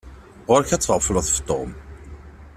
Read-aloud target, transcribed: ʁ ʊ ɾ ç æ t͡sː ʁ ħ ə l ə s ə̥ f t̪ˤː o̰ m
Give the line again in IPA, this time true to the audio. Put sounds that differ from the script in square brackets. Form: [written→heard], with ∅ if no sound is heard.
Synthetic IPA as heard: ʁ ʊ ɾ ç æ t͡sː ʁ [ħ→f] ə l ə [s→θ] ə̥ f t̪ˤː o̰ m